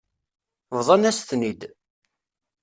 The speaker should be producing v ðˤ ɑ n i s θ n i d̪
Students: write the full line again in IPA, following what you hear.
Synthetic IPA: v ðˤ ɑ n æ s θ n i d̪